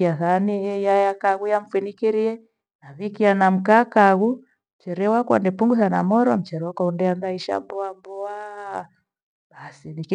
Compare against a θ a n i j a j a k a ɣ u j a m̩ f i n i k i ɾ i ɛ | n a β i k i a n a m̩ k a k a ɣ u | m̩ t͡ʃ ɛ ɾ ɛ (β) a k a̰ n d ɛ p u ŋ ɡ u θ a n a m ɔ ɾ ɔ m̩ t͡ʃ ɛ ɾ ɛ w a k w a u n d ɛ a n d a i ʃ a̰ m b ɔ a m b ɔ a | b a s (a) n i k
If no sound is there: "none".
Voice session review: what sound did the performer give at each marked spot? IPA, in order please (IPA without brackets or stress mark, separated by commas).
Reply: w, i